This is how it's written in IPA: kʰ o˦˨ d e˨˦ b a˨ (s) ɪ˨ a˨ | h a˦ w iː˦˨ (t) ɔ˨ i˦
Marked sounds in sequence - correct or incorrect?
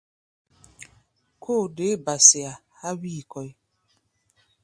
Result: correct, incorrect: k

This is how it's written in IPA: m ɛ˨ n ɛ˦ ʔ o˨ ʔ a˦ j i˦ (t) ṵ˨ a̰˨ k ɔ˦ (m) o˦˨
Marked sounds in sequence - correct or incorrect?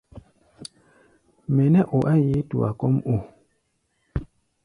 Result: correct, correct

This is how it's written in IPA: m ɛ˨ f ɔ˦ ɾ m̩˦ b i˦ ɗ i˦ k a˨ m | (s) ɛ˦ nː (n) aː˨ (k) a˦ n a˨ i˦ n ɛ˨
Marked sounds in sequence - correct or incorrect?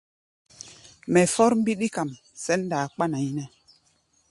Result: correct, incorrect: d, incorrect: k͡p

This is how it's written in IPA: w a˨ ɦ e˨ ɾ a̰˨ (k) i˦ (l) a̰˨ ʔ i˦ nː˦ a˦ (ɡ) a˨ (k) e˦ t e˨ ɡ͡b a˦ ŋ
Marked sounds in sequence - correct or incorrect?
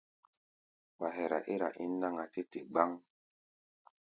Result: incorrect: ʔ, incorrect: ɾ, incorrect: ŋ, incorrect: t

